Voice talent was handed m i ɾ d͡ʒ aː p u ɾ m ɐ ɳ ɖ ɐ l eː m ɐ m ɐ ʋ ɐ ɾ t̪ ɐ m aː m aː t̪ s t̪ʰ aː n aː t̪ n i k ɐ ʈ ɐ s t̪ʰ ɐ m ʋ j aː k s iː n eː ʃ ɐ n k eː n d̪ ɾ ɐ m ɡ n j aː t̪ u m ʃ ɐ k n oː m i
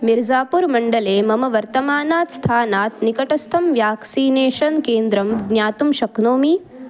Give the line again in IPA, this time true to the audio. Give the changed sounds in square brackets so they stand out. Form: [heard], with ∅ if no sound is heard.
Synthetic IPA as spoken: m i ɾ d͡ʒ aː p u ɾ m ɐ ɳ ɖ ɐ l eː m ɐ m ɐ ʋ ɐ ɾ t̪ ɐ m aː [n] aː t̪ s t̪ʰ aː n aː t̪ n i k ɐ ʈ ɐ s t̪ʰ ɐ m ʋ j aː k s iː n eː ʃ ɐ n k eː n d̪ ɾ ɐ m ɡ n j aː t̪ u m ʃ ɐ k n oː m i